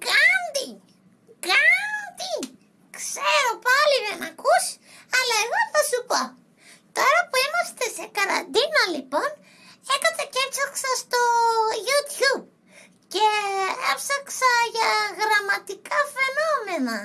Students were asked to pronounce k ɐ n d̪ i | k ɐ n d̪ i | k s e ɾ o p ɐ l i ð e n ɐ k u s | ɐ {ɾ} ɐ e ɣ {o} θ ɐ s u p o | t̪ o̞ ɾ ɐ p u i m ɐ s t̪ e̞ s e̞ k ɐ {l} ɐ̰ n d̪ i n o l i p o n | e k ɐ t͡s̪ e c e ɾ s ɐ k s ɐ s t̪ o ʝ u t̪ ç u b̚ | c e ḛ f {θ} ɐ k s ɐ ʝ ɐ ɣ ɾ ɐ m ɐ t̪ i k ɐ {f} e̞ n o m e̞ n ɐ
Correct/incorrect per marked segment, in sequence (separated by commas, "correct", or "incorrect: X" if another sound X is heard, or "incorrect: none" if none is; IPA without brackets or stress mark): incorrect: l, correct, incorrect: ɾ, incorrect: s, correct